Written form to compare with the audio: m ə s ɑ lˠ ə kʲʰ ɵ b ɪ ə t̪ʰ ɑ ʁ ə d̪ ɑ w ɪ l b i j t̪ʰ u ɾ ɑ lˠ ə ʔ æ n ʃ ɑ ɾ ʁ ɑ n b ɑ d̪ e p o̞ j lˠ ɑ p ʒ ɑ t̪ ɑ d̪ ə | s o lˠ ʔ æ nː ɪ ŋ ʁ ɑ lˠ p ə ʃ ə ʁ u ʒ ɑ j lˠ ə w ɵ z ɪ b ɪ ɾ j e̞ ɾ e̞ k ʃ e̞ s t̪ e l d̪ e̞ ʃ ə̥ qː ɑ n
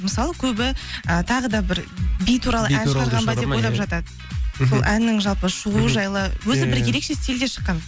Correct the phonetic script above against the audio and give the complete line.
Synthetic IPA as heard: m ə s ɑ lˠ ə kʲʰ ɵ b ɪ ə t̪ʰ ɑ ʁ ə d̪ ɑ b ɪ ɾ b i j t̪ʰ u ɾ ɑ lˠ ə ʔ æ n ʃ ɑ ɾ ʁ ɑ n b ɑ d̪ e p o̞ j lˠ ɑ p ʒ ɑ t̪ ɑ d̪ ə | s o lˠ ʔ æ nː ɪ ŋ ʒ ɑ lˠ p ə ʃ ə ʁ u ʒ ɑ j lˠ ə w ɵ z ɪ b ɪ ɾ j e̞ ɾ e̞ k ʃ e̞ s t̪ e l d̪ e̞ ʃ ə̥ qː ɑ n

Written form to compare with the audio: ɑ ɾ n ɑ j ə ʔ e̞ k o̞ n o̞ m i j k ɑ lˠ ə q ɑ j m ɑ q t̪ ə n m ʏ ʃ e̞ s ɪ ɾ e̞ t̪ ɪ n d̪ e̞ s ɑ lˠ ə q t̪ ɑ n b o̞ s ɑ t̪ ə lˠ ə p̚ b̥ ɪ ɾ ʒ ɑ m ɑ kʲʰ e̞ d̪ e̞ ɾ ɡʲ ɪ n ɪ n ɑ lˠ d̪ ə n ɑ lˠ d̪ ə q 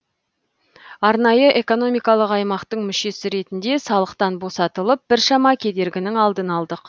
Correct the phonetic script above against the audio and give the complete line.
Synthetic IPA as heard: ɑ ɾ n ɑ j ə ʔ e̞ k o̞ n o̞ m i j k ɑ lˠ ə q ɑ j m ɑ q t̪ ə ɴ m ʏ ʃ e̞ s ɪ ɾ e̞ t̪ ɪ n d̪ e̞ s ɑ lˠ ə q t̪ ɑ n b o̞ s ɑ t̪ ə lˠ ə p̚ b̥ ɪ ɾ ʃ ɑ m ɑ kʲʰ e̞ d̪ e̞ ɾ ɡʲ ɪ n ɪ ŋ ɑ lˠ d̪ ə n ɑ lˠ d̪ ə q

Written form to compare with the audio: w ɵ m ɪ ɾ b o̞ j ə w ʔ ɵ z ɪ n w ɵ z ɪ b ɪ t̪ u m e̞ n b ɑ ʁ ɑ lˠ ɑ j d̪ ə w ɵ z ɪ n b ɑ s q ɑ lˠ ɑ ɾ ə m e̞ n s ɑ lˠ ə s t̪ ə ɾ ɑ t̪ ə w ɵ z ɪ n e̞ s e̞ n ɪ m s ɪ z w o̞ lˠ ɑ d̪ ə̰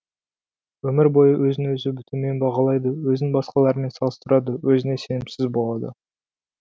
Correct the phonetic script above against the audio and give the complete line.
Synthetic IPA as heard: w ɵ m ɪ ɾ b o̞ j ə w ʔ ɵ z ɪ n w ɵ z ɪ b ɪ t̪ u m e̞ n b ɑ ʁ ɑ lˠ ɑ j d̪ ə w ɵ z ɪ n b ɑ s q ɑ lˠ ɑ ɾ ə m e̞ n s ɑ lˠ ə s t̪ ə ɾ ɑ d̪ ə w ɵ z ɪ n e̞ s e̞ n ɪ m s ɪ z b o̞ lˠ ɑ d̪ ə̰

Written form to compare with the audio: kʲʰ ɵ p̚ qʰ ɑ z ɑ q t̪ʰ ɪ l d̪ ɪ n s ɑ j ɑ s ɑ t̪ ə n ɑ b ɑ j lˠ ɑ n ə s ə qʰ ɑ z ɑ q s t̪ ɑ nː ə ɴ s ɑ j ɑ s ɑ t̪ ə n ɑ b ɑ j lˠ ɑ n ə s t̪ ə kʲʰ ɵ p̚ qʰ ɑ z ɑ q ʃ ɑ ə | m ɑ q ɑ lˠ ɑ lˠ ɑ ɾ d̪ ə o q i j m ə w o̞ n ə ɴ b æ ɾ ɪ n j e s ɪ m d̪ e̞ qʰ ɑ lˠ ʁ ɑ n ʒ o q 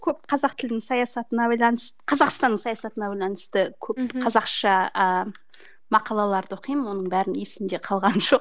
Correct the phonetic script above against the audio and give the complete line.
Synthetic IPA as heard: kʲʰ ɵ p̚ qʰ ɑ z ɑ q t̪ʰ ɪ l d̪ ɪ ŋ s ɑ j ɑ s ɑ t̪ ə n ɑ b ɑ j lˠ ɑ n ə s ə qʰ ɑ z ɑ q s t̪ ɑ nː ə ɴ s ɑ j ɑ s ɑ t̪ ə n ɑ b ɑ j lˠ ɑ n ə s t̪ ə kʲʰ ɵ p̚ qʰ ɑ z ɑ q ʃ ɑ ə | m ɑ q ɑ lˠ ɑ lˠ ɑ ɾ d̪ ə o q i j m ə w o̞ n ə ɴ b æ ɾ ɪ n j e s ɪ m d̪ e̞ qʰ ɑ lˠ ʁ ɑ n ʒ o q

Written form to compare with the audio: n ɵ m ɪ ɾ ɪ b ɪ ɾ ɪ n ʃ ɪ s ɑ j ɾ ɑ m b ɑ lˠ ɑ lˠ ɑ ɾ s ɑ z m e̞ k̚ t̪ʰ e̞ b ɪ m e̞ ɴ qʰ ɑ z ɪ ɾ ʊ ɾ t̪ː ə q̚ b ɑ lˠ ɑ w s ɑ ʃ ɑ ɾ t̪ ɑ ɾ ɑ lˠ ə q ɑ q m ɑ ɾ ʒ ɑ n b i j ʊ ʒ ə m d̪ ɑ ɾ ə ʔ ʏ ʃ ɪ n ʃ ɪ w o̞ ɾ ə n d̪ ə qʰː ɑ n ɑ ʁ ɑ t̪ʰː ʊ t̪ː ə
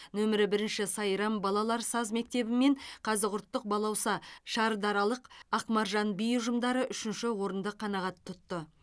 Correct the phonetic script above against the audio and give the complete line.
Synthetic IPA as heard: n ɵ m ɪ ɾ ɪ b ɪ ɾ ɪ n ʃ ɪ s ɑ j ɾ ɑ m b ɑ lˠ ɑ lˠ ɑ ɾ s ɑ z m e̞ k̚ t̪ e̞ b ɪ m e̞ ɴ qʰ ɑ z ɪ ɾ ʊ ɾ t̪ː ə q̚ b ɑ lˠ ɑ w s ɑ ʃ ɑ ɾ d̪ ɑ ɾ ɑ lˠ ə q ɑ q m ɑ ɾ ʒ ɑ n b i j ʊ ʒ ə m d̪ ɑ ɾ ə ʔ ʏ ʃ ɪ n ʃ ɪ w o̞ ɾ ə n d̪ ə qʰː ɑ n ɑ ʁ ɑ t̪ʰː ʊ t̪ː ə

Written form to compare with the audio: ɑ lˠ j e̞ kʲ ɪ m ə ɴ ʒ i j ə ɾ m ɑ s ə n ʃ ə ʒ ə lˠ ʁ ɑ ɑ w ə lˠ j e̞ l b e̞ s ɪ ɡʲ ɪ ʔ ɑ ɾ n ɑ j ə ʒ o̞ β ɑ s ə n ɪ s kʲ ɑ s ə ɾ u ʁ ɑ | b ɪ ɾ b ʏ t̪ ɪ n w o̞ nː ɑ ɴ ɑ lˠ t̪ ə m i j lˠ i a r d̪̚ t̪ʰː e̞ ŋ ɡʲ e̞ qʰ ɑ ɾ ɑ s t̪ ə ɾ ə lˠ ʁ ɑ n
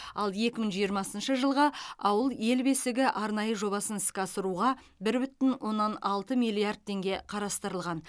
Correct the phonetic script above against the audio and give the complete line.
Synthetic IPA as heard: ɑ lˠ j e̞ kʲ ɪ m ə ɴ ʒ i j ə ɾ m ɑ s ə n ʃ ə ʒ ə lˠ ʁ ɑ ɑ w ə lˠ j e̞ l b e̞ s ɪ ɡʲ ɪ ʔ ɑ ɾ n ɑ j ə ʒ o̞ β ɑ s ə n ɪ s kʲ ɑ s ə ɾ u ʁ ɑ | b ɪ ɾ b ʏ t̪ ɪ n w o̞ nː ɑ n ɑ lˠ t̪ ə m i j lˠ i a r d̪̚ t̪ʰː e̞ ŋ ɡʲ e̞ qʰ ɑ ɾ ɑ s t̪ ə ɾ ə lˠ ʁ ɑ n

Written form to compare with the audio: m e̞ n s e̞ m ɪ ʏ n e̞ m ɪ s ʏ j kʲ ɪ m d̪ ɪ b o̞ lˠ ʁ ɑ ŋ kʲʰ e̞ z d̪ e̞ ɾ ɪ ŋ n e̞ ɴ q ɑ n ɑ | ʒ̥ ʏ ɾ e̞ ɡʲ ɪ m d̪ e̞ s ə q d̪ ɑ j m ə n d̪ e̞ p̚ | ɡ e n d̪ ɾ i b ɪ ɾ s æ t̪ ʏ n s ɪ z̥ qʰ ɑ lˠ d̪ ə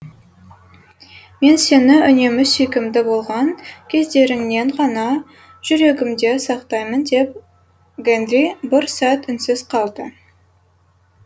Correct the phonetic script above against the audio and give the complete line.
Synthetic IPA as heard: m e̞ n s e̞ n ɪ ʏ n e̞ m ɪ s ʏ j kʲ ɪ m d̪ ɪ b o̞ lˠ ʁ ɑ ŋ kʲʰ e̞ z d̪ e̞ ɾ ɪ ŋ n e̞ ɴ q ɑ n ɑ | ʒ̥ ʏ ɾ e̞ ɡʲ ɪ m d̪ e̞ s ɑ q t̪ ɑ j m ə n d̪ e̞ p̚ | ɡ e n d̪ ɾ i b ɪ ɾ s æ t̪ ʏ n s ɪ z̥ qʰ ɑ lˠ d̪ ə

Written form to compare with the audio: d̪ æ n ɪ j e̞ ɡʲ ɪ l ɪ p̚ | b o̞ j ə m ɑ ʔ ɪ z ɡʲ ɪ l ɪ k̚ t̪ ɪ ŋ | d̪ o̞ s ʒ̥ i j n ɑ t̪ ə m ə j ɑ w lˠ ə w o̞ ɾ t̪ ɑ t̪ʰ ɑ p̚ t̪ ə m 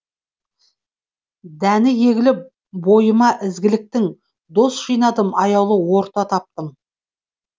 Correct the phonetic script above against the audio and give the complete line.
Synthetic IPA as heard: d̪ æ n ɪ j e̞ ɡʲ ɪ l ɪ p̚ | b o̞ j ə m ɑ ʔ ɪ z ɡʲ ɪ l ɪ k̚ t̪ ɪ ŋ | d̪ o̞ s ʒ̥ i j n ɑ d̪ ə m ɑ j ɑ w lˠ ə w o̞ ɾ t̪ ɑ t̪ʰ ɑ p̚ t̪ ə m

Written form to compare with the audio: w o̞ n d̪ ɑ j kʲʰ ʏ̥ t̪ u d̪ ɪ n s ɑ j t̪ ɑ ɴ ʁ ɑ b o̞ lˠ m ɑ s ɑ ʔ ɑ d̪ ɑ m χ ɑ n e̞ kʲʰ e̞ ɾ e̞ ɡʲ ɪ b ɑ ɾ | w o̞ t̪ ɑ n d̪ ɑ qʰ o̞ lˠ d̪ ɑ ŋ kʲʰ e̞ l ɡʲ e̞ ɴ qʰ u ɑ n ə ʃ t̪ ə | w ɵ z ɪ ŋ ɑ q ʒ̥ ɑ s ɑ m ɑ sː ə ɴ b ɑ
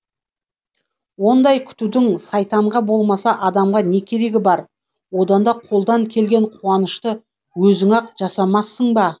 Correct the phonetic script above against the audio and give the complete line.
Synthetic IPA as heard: w o̞ n d̪ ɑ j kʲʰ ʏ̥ t̪ u d̪ ɪ ŋ s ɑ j t̪ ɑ ɴ ʁ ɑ b o̞ lˠ m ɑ s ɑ ʔ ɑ d̪ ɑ m ʁ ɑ n e̞ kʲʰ e̞ ɾ e̞ ɡʲ ɪ b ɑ ɾ | w o̞ d̪ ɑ n d̪ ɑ qʰ o̞ lˠ d̪ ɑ ŋ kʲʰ e̞ l ɡʲ e̞ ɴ qʰ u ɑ n ə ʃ t̪ ə | w ɵ z ɪ ŋ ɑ q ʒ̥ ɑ s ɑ m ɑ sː ə ɴ b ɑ

